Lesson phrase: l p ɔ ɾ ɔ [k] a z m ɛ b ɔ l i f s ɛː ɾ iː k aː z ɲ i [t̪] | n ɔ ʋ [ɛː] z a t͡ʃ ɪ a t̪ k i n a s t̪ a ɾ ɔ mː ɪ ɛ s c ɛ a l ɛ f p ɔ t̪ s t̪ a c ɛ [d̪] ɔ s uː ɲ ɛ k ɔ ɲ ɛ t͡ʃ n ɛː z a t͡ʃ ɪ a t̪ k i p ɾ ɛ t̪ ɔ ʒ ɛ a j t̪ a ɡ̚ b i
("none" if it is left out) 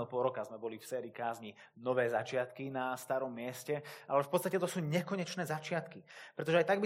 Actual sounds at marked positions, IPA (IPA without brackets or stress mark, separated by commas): k, none, ɛː, t̪